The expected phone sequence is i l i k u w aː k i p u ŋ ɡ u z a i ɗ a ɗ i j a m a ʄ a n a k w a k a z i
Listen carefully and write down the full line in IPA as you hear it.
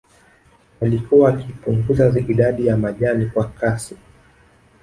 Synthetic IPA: a l i k u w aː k i p u ŋ ɡ u z a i ɗ a ɗ i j a m a ʄ a n i k w a k a s i